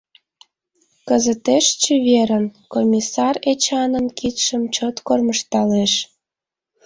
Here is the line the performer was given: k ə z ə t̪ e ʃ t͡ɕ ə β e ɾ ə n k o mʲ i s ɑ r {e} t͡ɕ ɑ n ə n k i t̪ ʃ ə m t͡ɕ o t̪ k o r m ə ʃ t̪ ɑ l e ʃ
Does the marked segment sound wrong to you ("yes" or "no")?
no